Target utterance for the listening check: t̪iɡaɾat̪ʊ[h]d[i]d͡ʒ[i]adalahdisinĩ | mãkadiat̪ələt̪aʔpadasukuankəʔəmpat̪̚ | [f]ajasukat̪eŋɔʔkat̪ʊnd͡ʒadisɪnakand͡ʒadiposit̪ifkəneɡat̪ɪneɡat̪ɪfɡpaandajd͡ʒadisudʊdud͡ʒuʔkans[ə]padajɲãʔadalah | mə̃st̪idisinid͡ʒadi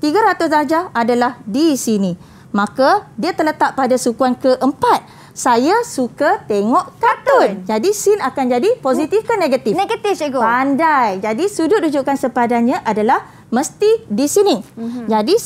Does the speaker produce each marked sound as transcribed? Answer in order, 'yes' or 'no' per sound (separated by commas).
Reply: no, no, no, no, yes